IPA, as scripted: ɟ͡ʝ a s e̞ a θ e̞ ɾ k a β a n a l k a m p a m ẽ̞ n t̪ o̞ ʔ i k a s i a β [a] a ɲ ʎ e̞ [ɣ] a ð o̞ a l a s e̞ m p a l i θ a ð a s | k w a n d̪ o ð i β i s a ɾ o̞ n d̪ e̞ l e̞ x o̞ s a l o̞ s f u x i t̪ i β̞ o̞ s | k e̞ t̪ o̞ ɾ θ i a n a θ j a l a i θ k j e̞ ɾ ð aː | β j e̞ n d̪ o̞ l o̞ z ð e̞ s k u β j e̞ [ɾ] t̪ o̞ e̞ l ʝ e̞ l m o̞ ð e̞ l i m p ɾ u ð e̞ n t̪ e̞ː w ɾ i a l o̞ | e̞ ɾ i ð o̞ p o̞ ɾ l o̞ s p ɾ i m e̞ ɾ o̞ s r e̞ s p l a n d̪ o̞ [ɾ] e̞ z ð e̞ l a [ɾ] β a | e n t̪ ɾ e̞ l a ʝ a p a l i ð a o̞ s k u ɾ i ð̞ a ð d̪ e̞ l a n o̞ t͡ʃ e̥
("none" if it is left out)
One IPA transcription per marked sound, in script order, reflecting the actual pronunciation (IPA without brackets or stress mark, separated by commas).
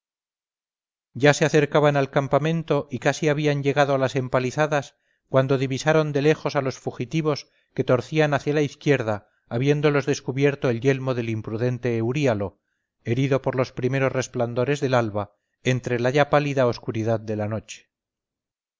i, ɣ, ɾ, ɾ, l